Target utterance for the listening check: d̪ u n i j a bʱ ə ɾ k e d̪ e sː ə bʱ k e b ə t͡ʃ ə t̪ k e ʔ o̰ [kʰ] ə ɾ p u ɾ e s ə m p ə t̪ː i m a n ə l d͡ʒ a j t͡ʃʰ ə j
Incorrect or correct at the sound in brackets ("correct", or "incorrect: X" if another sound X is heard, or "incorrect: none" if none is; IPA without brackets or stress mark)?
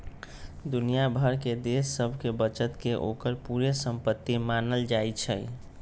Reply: incorrect: k